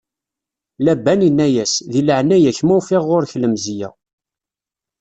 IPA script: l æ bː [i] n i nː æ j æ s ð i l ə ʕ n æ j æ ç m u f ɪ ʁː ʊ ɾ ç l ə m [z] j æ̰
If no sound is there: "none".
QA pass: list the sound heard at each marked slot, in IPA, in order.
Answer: æ, z

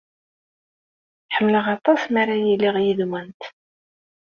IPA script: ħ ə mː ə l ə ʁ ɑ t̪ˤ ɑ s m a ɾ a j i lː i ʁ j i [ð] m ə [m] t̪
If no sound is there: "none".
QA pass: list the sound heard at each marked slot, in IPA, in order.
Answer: ð, n

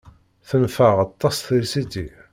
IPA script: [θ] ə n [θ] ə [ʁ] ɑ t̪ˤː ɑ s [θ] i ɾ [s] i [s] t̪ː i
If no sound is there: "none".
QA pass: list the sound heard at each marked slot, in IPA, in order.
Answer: θ, f, ʁ, θ, s, none

